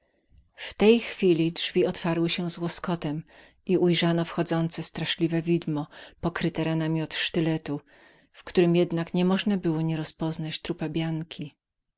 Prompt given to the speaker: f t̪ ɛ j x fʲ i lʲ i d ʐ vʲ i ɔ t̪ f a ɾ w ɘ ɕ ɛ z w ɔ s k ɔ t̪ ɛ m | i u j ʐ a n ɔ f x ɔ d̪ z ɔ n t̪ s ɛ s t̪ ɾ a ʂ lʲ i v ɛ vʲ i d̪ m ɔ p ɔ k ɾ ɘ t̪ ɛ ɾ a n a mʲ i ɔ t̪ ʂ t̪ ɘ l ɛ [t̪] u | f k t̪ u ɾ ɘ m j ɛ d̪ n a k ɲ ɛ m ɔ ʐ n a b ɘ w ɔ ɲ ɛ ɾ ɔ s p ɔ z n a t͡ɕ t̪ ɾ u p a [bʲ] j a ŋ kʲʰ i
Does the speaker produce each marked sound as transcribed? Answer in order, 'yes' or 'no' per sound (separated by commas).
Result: yes, yes